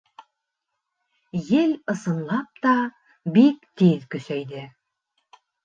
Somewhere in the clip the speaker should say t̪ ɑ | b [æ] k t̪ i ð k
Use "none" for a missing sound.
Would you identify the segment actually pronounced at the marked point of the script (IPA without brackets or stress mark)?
i